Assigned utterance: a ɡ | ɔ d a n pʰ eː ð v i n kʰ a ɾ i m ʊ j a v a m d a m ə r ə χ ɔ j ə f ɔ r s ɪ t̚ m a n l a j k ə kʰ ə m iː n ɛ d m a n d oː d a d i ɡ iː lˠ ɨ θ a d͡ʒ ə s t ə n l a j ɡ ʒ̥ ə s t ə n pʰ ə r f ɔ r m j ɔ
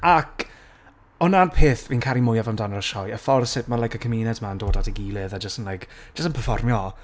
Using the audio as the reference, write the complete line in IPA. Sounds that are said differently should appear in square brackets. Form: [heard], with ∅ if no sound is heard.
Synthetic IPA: a [k] | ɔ [n] a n pʰ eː [θ] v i n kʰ a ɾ i m ʊ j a v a m d a [n] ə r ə [ʃ] ɔ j ə f ɔ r s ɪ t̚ m a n l a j k ə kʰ ə m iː n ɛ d m a n d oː d a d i ɡ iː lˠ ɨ [ð] a d͡ʒ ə s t ə n l a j [k] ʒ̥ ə s t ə n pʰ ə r f ɔ r m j ɔ